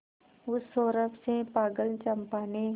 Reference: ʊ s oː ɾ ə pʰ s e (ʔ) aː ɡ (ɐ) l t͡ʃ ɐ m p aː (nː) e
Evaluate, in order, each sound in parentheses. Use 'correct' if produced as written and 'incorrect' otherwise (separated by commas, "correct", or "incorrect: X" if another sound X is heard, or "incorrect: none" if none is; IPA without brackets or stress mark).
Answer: incorrect: p, incorrect: ə, incorrect: n